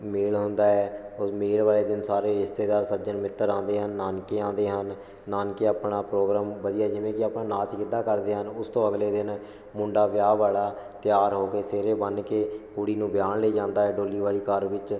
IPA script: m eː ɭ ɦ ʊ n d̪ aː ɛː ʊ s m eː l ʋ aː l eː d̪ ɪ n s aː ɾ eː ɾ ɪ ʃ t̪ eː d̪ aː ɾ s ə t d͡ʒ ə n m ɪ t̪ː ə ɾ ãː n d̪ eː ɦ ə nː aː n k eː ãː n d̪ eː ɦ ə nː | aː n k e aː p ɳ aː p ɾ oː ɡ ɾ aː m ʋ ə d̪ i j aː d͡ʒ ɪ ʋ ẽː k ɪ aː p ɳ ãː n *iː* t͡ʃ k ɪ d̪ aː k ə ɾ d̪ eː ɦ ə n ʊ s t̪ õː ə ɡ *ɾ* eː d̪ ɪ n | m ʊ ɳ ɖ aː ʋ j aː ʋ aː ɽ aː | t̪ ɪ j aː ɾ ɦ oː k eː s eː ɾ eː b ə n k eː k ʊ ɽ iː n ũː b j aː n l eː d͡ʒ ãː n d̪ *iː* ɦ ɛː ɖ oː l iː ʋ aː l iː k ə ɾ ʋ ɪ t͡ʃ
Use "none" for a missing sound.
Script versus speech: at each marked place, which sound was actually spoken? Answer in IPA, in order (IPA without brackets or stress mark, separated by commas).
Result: aː, l, aː